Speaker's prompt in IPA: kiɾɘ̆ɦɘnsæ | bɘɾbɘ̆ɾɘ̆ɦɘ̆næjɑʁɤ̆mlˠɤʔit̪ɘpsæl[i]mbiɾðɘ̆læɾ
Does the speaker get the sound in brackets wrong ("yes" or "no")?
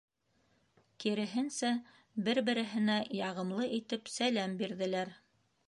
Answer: yes